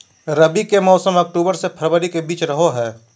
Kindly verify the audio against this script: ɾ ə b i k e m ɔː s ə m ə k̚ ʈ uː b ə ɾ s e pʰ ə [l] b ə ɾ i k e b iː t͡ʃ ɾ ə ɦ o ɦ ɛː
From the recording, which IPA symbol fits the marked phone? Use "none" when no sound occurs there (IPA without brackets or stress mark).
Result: ɾ